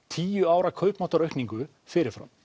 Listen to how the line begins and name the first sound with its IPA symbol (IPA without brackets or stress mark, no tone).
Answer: t̪ʰ